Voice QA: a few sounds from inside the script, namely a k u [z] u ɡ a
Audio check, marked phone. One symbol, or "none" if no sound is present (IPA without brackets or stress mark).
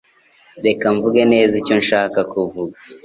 v